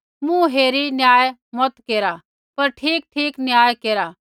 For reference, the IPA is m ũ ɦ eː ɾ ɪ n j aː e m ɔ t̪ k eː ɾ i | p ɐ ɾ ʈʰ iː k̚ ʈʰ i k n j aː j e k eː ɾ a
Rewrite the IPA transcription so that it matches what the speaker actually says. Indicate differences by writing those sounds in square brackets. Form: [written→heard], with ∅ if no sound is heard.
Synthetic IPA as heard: m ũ ɦ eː ɾ [ɪ→i] n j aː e m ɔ t̪ k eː ɾ [i→a] | p ɐ ɾ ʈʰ iː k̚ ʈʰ [i→iː] k n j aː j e k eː ɾ a